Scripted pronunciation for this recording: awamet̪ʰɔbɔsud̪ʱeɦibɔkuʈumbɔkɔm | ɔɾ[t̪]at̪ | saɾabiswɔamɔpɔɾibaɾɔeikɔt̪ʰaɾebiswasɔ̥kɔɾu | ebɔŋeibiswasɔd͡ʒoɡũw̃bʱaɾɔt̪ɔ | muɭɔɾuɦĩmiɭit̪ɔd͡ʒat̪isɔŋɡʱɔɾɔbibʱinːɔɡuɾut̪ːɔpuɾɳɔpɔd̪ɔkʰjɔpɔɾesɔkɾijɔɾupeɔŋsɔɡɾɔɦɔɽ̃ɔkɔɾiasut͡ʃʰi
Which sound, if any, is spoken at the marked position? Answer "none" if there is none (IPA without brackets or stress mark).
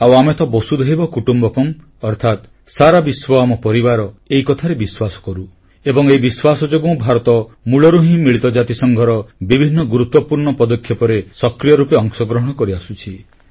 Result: t̪ʰ